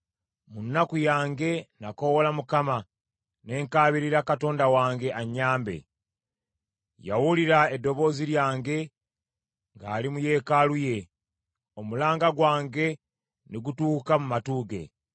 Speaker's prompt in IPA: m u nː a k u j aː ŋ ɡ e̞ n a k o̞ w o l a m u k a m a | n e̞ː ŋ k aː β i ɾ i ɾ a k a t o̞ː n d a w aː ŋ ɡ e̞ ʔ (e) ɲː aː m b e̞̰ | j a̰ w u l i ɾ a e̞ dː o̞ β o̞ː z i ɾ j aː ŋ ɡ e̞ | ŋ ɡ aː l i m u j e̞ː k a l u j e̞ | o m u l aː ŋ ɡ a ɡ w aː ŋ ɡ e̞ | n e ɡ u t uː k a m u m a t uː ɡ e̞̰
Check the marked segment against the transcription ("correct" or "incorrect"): incorrect